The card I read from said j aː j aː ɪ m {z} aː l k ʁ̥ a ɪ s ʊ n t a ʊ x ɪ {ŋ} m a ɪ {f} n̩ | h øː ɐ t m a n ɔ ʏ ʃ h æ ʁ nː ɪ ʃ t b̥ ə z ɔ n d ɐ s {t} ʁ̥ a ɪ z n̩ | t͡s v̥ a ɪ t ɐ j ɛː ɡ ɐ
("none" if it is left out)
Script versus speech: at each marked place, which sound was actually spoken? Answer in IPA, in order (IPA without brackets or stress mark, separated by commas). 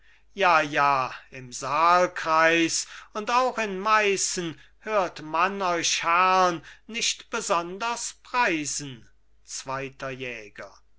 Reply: z, n, s, p